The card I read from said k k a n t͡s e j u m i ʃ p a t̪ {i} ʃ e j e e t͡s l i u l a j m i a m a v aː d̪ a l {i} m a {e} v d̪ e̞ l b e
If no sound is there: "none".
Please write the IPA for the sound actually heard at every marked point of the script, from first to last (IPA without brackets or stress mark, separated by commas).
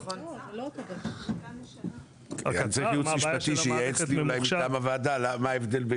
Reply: i, a, e